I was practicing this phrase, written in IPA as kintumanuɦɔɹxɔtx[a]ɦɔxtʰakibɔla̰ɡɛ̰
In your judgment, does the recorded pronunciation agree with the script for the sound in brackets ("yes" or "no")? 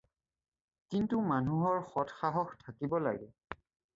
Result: yes